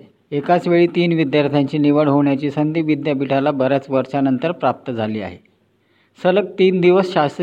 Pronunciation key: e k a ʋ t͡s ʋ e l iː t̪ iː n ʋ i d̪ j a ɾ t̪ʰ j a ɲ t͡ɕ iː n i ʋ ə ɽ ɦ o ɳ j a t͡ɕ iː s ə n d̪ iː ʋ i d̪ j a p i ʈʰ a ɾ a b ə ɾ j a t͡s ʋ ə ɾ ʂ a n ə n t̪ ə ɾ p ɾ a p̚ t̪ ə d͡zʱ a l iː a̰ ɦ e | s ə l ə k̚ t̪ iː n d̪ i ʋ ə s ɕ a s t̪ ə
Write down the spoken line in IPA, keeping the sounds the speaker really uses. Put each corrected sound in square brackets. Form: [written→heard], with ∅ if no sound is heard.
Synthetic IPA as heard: e k a [ʋ→∅] t͡s ʋ e [l→ɭ] iː t̪ iː n ʋ i d̪ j a ɾ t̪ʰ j a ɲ t͡ɕ iː n i ʋ ə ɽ ɦ o ɳ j a t͡ɕ iː s ə n d̪ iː ʋ i d̪ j a p i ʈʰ a [ɾ→l] a b ə ɾ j a t͡s ʋ ə ɾ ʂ a n ə n t̪ ə ɾ p ɾ a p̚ t̪ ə d͡zʱ a l iː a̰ ɦ e | s ə l ə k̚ t̪ iː n d̪ i ʋ ə s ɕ a s t̪ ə